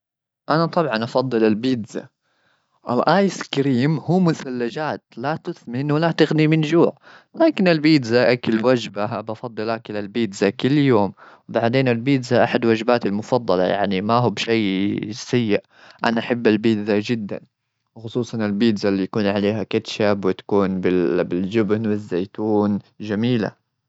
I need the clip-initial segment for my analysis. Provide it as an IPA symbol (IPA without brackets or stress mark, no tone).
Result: ʔ